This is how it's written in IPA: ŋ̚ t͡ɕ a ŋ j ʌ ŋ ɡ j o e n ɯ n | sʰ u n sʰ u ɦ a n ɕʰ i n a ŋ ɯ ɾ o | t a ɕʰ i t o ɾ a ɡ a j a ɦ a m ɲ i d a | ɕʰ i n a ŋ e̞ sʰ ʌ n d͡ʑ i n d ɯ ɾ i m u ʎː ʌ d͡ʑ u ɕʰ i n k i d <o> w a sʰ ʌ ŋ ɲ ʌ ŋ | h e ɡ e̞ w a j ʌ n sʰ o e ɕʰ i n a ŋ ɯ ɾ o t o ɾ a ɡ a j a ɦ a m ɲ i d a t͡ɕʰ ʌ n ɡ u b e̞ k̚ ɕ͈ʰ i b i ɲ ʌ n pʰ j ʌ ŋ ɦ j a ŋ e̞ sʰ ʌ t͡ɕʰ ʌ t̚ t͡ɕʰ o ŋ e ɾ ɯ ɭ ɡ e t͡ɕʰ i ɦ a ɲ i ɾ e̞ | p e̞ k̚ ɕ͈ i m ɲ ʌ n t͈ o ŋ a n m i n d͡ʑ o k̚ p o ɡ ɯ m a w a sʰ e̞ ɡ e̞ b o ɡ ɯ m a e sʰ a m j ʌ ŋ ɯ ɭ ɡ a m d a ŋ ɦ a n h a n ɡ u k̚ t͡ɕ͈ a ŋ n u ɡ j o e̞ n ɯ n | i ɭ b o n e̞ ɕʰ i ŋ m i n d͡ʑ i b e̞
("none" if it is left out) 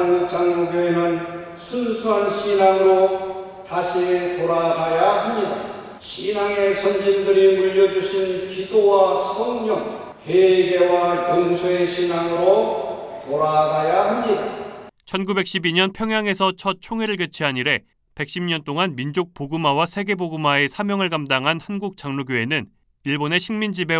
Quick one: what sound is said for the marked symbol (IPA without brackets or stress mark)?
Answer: o